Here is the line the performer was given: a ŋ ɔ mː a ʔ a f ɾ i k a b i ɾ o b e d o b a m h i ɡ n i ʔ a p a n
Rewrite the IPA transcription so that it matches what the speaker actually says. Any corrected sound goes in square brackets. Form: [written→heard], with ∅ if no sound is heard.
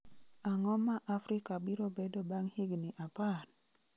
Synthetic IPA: a ŋ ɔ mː a ʔ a f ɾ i k a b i ɾ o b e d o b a [m→ŋ] h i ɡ n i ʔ a p a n